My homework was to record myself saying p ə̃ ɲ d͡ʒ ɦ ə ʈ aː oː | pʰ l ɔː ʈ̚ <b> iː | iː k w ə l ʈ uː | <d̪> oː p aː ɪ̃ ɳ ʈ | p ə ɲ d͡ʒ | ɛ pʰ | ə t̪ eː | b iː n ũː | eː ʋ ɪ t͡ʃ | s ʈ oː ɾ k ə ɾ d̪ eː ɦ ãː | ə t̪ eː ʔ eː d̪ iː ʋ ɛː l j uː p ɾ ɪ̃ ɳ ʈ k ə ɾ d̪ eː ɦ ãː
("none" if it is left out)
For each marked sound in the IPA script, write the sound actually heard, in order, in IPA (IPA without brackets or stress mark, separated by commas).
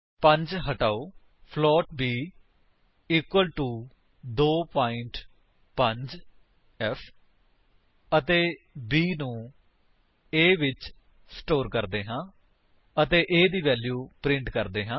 b, d̪